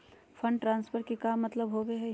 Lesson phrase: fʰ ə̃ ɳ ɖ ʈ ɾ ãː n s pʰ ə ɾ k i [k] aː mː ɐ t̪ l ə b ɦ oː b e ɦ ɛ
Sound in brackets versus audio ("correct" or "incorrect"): correct